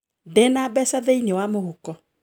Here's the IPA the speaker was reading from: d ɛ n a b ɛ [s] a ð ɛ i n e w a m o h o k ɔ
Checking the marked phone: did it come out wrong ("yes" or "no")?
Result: no